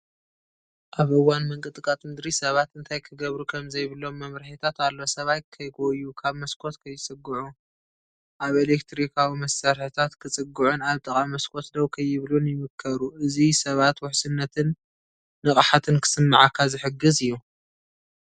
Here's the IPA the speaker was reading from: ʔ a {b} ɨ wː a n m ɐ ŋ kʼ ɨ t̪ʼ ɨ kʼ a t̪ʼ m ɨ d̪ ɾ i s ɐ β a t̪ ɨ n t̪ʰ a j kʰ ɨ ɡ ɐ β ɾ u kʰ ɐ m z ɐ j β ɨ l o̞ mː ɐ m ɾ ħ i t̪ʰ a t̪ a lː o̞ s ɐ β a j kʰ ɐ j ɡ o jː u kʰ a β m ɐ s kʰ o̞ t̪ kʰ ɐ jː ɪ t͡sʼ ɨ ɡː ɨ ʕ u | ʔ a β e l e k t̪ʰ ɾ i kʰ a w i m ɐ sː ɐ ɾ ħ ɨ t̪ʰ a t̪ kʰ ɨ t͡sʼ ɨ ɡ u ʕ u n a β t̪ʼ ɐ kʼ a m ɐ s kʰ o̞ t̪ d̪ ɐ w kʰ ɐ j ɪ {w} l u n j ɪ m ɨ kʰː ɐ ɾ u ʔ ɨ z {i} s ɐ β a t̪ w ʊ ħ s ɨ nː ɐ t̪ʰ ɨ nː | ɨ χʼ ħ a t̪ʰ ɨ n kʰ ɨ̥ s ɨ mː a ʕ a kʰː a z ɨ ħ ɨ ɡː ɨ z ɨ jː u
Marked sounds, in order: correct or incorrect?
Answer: incorrect, incorrect, correct

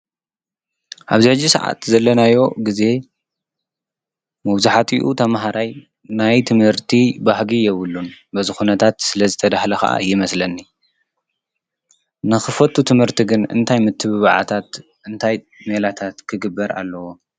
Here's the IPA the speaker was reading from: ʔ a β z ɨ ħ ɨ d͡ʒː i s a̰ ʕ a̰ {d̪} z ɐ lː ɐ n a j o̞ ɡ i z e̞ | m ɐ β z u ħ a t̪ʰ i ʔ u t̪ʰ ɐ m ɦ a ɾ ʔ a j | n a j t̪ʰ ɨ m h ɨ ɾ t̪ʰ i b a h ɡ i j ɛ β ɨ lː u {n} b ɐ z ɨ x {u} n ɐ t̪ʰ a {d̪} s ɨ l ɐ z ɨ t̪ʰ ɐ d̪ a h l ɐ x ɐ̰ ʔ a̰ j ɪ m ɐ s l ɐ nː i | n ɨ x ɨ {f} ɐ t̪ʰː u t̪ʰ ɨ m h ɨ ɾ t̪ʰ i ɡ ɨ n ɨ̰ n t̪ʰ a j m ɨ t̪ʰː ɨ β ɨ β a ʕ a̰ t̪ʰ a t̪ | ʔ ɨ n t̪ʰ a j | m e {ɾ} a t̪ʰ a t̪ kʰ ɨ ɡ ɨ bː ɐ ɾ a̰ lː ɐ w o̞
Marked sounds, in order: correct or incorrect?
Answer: incorrect, correct, correct, incorrect, correct, incorrect

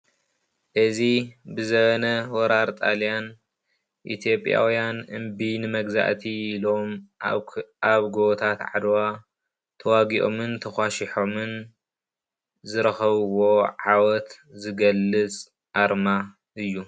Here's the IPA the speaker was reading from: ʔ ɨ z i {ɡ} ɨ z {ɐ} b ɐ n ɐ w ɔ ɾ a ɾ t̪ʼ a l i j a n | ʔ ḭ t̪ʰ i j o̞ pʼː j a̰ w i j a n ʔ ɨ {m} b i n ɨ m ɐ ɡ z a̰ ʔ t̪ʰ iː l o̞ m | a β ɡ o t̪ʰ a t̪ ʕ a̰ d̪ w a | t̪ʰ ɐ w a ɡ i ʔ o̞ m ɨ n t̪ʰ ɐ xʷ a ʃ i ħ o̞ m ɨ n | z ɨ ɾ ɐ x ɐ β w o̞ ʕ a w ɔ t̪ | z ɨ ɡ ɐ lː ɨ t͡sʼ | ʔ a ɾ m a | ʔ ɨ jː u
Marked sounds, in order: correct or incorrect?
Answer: incorrect, correct, correct

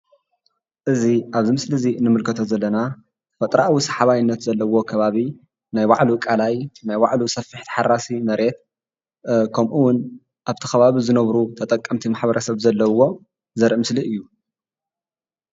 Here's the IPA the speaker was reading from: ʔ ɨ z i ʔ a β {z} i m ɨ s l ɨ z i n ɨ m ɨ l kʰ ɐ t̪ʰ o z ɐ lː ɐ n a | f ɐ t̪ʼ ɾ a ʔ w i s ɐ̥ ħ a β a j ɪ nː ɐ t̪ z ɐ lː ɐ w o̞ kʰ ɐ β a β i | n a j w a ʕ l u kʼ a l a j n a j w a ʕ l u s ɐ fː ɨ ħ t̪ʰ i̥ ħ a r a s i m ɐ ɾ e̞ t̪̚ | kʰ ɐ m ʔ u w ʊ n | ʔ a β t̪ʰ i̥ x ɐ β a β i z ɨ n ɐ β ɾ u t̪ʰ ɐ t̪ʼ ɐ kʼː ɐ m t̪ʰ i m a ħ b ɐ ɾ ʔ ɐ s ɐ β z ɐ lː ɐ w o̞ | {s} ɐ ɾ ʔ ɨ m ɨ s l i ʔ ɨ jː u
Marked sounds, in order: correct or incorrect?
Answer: correct, incorrect

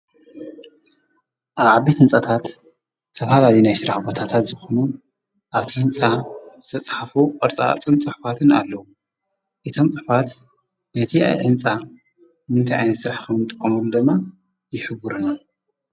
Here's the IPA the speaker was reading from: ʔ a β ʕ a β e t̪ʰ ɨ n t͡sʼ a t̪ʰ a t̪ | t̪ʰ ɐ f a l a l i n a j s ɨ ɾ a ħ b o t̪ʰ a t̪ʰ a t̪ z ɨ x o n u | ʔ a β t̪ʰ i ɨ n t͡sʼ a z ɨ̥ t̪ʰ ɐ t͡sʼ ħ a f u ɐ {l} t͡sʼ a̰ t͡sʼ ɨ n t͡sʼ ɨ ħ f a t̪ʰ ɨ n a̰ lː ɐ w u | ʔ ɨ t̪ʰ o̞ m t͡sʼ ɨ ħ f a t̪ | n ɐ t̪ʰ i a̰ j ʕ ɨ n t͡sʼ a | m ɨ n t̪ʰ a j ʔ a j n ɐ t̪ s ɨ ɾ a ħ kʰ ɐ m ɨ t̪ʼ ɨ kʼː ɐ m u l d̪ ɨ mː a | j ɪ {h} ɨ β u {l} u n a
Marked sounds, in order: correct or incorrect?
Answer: incorrect, incorrect, incorrect

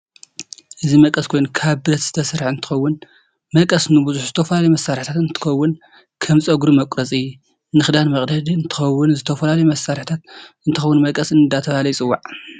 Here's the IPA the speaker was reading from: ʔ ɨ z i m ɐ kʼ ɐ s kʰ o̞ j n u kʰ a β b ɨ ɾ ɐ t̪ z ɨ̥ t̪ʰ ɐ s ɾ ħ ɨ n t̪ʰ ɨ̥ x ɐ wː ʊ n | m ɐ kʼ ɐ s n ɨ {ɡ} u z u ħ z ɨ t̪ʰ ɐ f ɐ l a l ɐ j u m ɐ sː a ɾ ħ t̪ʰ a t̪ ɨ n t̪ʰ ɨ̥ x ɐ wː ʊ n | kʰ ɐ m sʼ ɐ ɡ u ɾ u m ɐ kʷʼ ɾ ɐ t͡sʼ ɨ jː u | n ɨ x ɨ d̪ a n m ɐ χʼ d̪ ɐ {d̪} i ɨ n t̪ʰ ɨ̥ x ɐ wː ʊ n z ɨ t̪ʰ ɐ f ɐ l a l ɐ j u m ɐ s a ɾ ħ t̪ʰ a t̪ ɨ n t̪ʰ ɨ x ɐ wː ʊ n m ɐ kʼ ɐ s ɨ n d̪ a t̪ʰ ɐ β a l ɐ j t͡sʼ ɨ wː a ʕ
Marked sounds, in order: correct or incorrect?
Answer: incorrect, correct

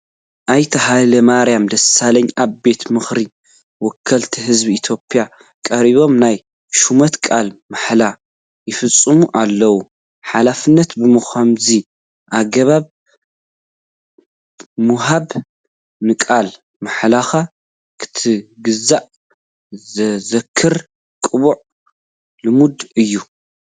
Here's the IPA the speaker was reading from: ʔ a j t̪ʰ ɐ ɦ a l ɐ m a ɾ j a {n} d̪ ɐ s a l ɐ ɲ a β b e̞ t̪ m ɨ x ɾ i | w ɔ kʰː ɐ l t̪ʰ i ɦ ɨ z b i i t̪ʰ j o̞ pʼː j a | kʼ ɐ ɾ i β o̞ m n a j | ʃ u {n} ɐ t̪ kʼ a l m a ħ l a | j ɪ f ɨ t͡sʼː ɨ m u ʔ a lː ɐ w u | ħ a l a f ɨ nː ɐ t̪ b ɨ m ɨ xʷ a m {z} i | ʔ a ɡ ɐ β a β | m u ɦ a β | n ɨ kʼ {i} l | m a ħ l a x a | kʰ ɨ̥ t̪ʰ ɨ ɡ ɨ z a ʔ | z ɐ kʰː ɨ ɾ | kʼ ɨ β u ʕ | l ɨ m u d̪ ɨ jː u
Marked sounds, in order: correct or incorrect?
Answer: incorrect, incorrect, correct, incorrect

